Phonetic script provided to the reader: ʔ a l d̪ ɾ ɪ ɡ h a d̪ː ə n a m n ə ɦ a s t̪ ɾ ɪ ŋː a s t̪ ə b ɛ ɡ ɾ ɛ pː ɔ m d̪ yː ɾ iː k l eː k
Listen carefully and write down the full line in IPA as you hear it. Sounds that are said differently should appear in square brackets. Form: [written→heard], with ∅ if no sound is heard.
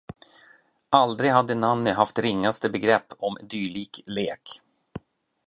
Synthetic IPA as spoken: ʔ a l d̪ ɾ ɪ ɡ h a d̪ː ə n a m n ə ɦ a [s→f] t̪ ɾ ɪ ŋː a s t̪ ə b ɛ ɡ ɾ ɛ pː ɔ m d̪ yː [ɾ→ɭ] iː k l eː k